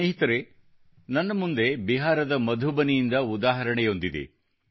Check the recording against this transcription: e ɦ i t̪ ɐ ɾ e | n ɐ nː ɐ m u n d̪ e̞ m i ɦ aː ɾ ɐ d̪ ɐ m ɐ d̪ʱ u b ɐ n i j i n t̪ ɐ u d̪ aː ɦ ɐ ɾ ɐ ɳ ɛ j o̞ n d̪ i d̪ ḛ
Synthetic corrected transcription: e ɦ i t̪ ɐ ɾ e | n ɐ nː ɐ m u n d̪ e̞ b i ɦ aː ɾ ɐ d̪ ɐ m ɐ d̪ʱ u b ɐ n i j i n d̪ ɐ u d̪ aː ɦ ɐ ɾ ɐ ɳ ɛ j o̞ n d̪ i d̪ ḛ